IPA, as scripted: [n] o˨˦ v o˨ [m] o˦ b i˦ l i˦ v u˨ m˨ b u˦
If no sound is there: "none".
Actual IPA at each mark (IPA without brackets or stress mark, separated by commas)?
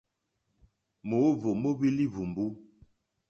m, m